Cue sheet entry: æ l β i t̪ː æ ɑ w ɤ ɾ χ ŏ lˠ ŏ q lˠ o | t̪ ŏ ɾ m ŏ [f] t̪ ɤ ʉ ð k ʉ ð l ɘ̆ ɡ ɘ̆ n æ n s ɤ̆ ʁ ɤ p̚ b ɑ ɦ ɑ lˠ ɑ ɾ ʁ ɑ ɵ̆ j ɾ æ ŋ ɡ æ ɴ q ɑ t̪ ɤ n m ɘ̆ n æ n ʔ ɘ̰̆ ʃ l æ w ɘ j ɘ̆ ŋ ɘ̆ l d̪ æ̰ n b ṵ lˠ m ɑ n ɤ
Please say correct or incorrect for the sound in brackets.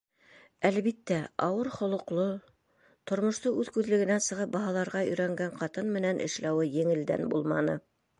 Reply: incorrect